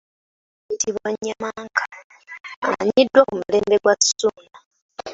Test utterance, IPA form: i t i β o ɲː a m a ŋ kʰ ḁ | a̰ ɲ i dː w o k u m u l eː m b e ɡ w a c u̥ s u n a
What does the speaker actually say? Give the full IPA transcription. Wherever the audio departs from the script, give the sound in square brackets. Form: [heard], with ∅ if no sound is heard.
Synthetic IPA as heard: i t i β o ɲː a m a ŋ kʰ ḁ | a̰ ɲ i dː w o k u m u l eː m b e ɡ w a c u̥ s u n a